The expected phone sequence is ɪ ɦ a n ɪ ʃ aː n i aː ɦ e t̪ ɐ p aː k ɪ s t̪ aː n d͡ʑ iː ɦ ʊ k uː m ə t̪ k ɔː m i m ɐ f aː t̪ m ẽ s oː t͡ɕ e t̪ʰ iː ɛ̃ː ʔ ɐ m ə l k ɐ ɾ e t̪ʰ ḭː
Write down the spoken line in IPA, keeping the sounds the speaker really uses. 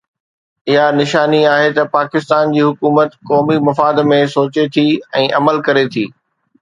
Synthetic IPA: ɪ ɦ a n ɪ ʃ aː n i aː ɦ e t̪ ɐ p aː k ɪ s t̪ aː n d͡ʑ iː ɦ ʊ k uː m ə t̪ k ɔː m i m ɐ f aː d̪ m ẽ s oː t͡ɕ e t̪ʰ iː ɛ̃ː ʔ ɐ m ə l k ɐ ɾ e t̪ʰ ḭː